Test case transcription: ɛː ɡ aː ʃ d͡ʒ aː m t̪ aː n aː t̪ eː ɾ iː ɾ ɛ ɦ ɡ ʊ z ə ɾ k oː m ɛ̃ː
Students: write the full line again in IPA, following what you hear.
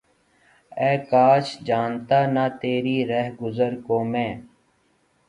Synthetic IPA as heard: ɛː k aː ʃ d͡ʒ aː n t̪ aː n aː t̪ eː ɾ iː ɾ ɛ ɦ ɡ ʊ z ə ɾ k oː m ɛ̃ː